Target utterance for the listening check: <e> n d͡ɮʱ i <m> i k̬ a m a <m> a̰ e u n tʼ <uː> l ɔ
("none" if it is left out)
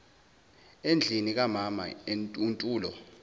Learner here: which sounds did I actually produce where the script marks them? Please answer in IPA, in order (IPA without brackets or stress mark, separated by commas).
e, n, m, uː